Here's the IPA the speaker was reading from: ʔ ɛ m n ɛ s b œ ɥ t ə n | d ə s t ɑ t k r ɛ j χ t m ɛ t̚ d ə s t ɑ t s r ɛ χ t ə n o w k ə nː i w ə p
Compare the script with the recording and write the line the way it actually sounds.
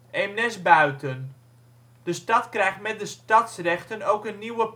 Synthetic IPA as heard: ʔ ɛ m n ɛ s b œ ɥ t ə n | d ə s t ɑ t k r ɛ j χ t m ɛ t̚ d ə s t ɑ t s r ɛ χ t ə n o w k ə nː i w ə p